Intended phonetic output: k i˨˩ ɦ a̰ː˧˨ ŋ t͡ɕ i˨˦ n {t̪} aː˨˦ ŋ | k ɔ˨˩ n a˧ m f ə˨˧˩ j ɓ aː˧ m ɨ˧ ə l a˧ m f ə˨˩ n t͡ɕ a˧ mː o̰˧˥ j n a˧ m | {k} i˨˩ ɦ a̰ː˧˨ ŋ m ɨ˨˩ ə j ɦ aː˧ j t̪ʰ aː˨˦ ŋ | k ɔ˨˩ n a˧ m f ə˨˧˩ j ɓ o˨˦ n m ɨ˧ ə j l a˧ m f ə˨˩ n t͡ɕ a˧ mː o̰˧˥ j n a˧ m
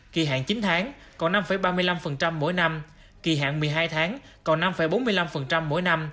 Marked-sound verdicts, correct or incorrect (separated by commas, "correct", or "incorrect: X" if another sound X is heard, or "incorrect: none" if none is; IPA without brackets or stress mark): incorrect: t̪ʰ, correct